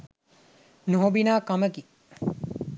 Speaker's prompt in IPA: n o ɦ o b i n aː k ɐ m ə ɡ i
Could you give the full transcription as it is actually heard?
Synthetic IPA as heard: n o ɦ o b i n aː k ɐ m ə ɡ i